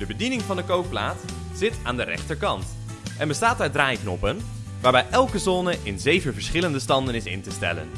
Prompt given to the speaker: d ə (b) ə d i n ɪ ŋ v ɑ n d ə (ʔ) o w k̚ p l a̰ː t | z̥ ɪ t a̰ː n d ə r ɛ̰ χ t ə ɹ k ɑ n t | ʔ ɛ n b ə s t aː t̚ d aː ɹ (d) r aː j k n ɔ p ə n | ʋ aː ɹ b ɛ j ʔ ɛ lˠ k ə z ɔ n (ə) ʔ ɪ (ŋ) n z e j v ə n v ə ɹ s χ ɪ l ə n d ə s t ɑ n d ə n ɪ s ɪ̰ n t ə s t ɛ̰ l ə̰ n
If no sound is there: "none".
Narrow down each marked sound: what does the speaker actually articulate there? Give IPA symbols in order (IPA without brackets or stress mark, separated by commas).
b, k, d, ə, none